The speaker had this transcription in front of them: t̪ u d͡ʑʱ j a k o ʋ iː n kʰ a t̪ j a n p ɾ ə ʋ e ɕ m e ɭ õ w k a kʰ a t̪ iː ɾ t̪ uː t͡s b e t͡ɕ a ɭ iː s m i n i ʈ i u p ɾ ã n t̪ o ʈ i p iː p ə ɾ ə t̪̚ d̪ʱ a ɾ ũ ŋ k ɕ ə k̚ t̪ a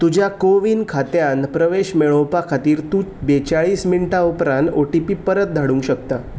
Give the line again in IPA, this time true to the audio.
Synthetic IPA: t̪ u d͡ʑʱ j a k o ʋ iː n kʰ a t̪ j a n p ɾ ə ʋ e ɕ m e ɭ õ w p a kʰ a t̪ iː ɾ t̪ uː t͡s b e t͡ɕ a ɭ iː s m i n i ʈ a u p ɾ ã n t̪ o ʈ i p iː p ə ɾ ə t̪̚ d̪ʱ a ɽ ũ ŋ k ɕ ə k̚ t̪ a